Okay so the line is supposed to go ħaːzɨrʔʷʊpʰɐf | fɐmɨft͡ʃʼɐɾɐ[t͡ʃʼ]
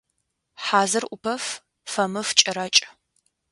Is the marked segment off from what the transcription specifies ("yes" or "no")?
no